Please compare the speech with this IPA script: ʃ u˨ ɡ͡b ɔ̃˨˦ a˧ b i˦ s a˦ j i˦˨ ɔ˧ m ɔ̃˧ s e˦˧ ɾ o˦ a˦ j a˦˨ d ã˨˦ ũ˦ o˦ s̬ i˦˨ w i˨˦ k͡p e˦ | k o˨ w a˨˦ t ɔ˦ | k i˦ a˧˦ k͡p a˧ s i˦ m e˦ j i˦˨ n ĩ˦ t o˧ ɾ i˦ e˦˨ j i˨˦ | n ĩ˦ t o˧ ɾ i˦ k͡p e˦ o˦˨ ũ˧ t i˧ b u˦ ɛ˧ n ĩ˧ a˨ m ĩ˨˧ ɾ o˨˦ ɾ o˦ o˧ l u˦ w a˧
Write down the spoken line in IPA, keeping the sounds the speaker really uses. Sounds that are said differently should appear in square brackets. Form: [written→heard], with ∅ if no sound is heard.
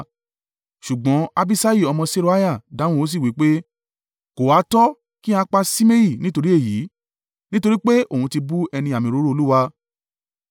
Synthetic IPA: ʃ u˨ ɡ͡b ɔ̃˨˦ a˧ b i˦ s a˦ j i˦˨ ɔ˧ m ɔ̃˧ s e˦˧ ɾ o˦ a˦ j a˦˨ d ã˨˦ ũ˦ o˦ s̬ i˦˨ w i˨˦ k͡p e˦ | k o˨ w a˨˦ t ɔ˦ | k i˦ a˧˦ k͡p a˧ s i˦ m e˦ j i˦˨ n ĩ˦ t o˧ ɾ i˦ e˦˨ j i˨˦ | n ĩ˦ t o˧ ɾ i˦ k͡p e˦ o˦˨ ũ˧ t i˧ b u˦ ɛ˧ n ĩ˧ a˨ m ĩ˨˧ ɾ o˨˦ ɾ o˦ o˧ l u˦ w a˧